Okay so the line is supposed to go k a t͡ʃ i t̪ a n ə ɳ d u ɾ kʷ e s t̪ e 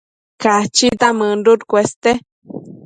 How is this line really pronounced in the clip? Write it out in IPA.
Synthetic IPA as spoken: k a t͡ʃ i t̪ a m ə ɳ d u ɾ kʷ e s t̪ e